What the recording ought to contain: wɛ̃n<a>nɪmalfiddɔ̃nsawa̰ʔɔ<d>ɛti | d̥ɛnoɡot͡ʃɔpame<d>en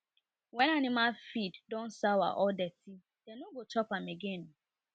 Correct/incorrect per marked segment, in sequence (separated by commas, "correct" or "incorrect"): correct, correct, incorrect